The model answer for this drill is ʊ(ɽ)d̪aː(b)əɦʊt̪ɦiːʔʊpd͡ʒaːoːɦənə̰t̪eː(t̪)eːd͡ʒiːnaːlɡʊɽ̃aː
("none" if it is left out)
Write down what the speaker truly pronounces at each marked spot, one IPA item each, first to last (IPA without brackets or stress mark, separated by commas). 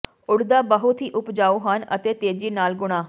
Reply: ɽ, b, t̪